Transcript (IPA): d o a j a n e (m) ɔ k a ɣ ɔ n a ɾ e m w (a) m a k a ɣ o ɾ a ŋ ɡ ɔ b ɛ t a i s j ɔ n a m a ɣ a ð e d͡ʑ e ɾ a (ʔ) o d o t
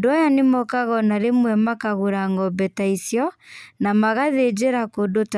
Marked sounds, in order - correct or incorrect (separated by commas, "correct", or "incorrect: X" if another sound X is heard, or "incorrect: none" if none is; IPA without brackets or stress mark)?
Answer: correct, incorrect: ɛ, incorrect: k